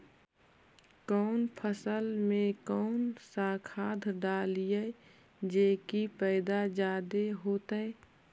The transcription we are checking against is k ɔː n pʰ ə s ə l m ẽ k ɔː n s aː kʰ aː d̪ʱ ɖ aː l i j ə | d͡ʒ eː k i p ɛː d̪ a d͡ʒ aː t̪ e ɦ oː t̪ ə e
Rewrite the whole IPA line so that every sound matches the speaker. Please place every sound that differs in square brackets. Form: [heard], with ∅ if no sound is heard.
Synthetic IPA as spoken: k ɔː n pʰ ə s ə l m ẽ k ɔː n s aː kʰ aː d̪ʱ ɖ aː l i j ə | d͡ʒ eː k i p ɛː d̪ a d͡ʒ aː [d̪] e ɦ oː t̪ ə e

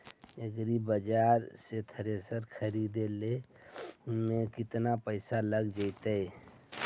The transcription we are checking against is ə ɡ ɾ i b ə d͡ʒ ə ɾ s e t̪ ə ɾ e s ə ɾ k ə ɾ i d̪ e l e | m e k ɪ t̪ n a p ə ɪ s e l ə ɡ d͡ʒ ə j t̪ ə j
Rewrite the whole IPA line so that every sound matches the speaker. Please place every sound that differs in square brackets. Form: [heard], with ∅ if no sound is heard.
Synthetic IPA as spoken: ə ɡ ɾ i b ə d͡ʒ [a] ɾ s e [t̪ʰ] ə ɾ e s ə ɾ [kʰ] ə ɾ i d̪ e l e | m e k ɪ t̪ n a p ə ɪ s [a] l ə ɡ d͡ʒ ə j t̪ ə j

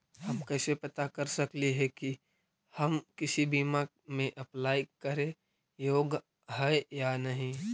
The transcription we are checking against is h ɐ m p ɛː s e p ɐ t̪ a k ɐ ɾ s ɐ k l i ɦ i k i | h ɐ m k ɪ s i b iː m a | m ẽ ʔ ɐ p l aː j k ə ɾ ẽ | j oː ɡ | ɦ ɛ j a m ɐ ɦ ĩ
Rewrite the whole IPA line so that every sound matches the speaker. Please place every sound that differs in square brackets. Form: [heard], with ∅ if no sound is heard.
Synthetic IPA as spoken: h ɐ m [k] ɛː s e p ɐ t̪ a k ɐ ɾ s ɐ k l i ɦ [ɛ] k i | h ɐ m k ɪ s i b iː m a | m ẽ ʔ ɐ p l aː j k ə ɾ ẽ | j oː ɡ | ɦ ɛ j a [n] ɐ ɦ ĩ

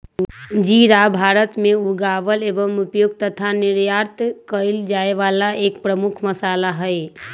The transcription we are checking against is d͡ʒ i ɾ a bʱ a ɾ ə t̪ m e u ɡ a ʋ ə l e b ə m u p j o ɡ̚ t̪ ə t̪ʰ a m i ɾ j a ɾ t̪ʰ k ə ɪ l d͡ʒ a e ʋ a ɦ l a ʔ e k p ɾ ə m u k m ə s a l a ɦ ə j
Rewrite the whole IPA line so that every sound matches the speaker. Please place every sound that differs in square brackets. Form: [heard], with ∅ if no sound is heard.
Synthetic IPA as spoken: d͡ʒ i ɾ a bʱ a ɾ ə t̪ m e u ɡ a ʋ ə l e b ə m u p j o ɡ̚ t̪ ə t̪ʰ a [n] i ɾ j a ɾ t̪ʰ k ə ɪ l d͡ʒ a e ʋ a [∅] l a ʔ e k p ɾ ə m u [kʰ] m ə s a l a ɦ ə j

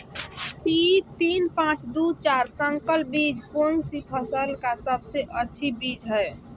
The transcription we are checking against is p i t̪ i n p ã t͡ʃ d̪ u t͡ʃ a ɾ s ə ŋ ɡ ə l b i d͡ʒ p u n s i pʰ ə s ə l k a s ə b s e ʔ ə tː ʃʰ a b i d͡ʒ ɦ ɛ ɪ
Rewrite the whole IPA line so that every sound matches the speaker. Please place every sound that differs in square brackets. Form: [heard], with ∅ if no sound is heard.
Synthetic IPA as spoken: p i t̪ i n p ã t͡ʃ d̪ u t͡ʃ a ɾ s ə ŋ [k] ə l b i d͡ʒ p [o] n s i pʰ ə s ə l k a s ə b s e ʔ ə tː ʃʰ [i] b i d͡ʒ ɦ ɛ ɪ

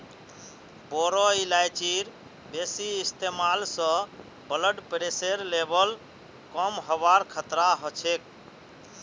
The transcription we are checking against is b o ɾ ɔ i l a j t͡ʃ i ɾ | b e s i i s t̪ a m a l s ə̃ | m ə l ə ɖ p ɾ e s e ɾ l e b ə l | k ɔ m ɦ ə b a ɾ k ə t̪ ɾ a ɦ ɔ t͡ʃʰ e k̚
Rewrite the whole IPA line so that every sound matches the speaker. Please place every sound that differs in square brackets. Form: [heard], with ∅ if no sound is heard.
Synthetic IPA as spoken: b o ɾ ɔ i l a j t͡ʃ i ɾ | b e s i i s t̪ [e] m a l s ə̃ | [b] ə l ə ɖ p ɾ e s e ɾ l e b ə l | k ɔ m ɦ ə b a ɾ [kʰ] ə t̪ ɾ a ɦ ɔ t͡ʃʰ e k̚

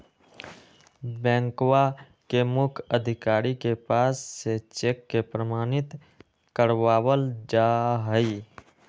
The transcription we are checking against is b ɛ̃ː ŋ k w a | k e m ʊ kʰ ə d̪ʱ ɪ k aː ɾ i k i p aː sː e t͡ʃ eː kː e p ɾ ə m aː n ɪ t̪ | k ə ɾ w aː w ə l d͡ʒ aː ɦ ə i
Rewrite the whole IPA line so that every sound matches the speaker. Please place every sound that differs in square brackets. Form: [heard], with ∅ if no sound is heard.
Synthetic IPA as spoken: b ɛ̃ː ŋ k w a | k e m ʊ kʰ ə d̪ʱ ɪ k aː ɾ i k [e] p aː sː e t͡ʃ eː kː e p ɾ ə m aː n ɪ t̪ | k ə ɾ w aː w ə l d͡ʒ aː ɦ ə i

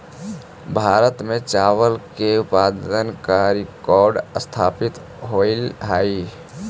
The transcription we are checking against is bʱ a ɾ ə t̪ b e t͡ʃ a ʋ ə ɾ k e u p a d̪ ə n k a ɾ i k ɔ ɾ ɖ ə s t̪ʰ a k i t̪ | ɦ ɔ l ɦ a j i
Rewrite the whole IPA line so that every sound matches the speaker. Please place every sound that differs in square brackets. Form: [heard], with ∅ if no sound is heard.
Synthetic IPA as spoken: bʱ a ɾ ə t̪ [m] e t͡ʃ a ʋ ə [l] k e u p a d̪ ə n k a ɾ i k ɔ ɾ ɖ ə s t̪ʰ a [p] i t̪ | ɦ [o] l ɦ a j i

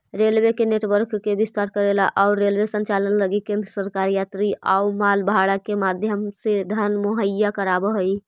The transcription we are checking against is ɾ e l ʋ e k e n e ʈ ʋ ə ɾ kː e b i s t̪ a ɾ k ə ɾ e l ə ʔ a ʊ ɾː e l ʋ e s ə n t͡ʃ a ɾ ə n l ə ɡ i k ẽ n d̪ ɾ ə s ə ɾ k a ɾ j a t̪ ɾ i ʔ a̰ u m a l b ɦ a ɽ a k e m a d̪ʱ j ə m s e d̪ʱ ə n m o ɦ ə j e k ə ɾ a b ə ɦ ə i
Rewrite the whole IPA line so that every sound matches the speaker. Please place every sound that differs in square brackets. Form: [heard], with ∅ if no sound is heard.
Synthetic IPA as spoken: ɾ e l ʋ e k e n e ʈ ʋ ə ɾ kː e b i s t̪ a ɾ k ə ɾ e l [a] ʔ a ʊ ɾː e l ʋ e s ə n t͡ʃ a [l] ə n l ə ɡ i k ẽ n d̪ ɾ ə s ə ɾ k a ɾ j a t̪ ɾ i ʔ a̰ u m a l b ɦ a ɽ a k e m a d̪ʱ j ə m s e d̪ʱ ə n m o ɦ ə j [a] k ə ɾ a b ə ɦ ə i

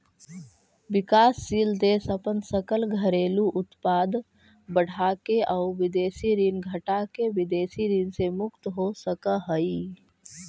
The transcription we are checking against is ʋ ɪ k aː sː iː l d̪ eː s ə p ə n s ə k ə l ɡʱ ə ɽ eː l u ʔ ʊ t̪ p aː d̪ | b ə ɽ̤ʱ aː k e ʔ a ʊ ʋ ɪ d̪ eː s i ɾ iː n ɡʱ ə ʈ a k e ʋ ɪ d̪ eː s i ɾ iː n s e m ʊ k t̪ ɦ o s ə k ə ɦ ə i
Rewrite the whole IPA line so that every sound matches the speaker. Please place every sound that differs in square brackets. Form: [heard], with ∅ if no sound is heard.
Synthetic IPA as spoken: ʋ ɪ k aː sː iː l d̪ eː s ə p ə n s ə k ə l ɡʱ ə [ɾ] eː l u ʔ ʊ t̪ p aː d̪ | b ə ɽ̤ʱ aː k e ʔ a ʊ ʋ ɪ d̪ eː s i ɾ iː n ɡʱ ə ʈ a k e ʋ ɪ d̪ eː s i ɾ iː n s e m ʊ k t̪ ɦ o s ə k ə ɦ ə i

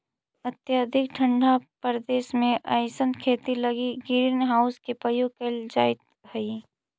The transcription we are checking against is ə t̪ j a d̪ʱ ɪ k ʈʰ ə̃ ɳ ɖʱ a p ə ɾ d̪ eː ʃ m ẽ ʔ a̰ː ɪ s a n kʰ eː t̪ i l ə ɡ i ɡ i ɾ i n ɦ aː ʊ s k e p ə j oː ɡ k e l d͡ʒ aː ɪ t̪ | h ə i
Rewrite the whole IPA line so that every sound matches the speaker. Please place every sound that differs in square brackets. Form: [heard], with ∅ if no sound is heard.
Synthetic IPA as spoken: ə t̪ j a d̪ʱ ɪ k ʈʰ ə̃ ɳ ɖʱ a p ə ɾ d̪ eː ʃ m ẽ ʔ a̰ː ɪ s [ə] n kʰ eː t̪ i l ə ɡ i ɡ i ɾ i n ɦ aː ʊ s k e p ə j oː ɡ k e l d͡ʒ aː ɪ t̪ | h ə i

